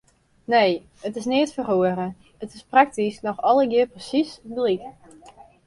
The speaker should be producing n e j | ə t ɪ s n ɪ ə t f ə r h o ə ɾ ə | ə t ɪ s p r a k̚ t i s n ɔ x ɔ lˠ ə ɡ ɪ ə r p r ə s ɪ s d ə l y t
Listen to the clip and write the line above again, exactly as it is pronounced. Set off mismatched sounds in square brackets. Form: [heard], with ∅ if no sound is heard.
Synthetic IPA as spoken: n e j | ə t ɪ s n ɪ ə t f ə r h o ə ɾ ə | ə t ɪ s p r a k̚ t i s n ɔ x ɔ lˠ ə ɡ ɪ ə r p r ə s [i] s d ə l [i] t